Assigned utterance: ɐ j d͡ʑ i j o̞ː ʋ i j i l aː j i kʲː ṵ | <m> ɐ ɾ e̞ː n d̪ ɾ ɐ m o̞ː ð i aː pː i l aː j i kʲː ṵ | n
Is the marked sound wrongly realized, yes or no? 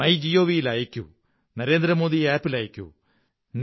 yes